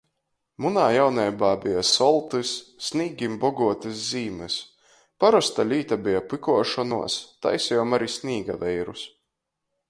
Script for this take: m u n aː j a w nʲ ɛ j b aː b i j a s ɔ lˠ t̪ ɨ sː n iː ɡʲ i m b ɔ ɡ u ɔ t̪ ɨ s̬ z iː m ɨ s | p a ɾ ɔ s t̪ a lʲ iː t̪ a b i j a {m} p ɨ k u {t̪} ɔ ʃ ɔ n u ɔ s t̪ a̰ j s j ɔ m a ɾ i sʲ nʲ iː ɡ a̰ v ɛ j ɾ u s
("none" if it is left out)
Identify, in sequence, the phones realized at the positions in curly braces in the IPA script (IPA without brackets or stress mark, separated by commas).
none, none